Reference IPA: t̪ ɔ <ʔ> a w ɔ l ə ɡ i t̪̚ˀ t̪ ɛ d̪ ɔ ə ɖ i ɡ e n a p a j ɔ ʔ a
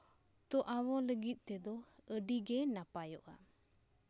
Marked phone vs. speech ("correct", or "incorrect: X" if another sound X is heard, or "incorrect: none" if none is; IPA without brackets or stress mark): correct